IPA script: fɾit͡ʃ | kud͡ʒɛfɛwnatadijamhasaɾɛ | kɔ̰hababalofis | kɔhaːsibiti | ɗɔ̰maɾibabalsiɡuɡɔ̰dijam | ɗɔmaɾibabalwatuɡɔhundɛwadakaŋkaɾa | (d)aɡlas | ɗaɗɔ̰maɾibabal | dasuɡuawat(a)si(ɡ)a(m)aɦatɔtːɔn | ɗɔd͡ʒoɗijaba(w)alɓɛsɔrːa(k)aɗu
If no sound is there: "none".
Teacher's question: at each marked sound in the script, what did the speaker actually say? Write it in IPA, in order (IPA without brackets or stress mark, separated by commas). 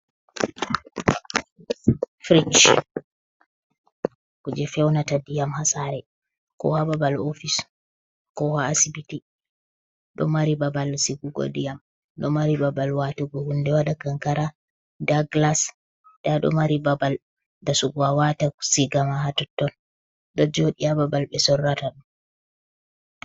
d, a, ɡ, m, b, t